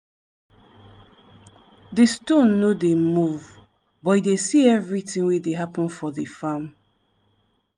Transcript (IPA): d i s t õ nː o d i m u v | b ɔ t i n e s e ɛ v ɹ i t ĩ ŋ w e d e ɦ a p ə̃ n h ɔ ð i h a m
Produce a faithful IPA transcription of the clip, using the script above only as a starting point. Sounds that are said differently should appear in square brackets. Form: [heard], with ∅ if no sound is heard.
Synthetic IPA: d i s t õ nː o d [e] m u v | b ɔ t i [d] e s [i] ɛ v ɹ i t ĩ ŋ w e d e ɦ a p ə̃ n [f] ɔ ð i [f] a m